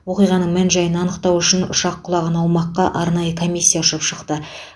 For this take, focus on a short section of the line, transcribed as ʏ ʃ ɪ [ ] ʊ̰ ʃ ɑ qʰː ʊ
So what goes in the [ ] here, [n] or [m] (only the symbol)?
n